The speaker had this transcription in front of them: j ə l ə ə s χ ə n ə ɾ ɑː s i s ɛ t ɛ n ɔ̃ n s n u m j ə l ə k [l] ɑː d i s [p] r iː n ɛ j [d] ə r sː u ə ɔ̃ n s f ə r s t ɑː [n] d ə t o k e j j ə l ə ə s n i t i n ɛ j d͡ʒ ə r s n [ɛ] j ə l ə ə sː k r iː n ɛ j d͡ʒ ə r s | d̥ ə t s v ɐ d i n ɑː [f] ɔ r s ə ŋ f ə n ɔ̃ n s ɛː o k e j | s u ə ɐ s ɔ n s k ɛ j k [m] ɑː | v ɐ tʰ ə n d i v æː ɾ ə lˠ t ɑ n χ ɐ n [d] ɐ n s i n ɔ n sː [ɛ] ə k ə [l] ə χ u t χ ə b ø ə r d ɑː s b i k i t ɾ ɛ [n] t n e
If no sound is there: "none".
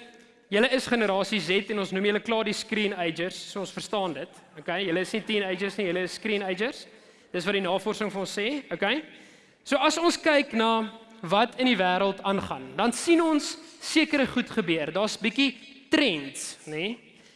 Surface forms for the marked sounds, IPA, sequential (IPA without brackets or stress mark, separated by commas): l, k, d͡ʒ, n, i, f, n, d, i, ɾ, n